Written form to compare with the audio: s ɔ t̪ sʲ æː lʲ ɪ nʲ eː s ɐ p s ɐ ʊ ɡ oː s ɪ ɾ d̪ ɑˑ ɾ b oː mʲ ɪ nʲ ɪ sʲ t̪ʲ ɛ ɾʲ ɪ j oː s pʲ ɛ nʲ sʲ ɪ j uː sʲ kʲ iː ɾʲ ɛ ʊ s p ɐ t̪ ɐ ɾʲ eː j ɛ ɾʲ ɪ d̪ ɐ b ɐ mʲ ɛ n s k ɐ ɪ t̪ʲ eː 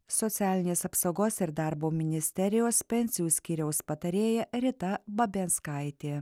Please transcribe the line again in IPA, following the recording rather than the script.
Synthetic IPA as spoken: s ɔ t̪ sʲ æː lʲ ɪ nʲ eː s ɐ p s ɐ ʊ ɡ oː s ɪ ɾ d̪ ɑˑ ɾ b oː mʲ ɪ nʲ ɪ sʲ t̪ʲ ɛ ɾʲ ɪ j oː s pʲ ɛ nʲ sʲ ɪ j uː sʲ kʲ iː ɾʲ ɛ ʊ s p ɐ t̪ ɐ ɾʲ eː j ɛ ɾʲ ɪ t̪ ɐ b ɐ bʲ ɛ n s k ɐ ɪ t̪ʲ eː